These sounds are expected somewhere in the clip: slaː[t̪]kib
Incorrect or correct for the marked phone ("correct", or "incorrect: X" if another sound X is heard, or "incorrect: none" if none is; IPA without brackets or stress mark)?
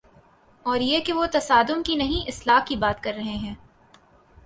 incorrect: none